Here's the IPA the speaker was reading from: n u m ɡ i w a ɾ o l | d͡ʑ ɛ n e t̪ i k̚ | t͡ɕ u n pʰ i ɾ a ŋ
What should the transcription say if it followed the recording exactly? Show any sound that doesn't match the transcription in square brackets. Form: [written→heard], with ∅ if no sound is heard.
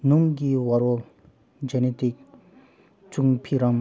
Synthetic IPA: n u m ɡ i w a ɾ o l | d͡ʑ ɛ n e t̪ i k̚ | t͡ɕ u [n→ŋ] pʰ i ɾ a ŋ